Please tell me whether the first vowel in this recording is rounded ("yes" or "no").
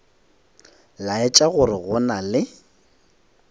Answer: no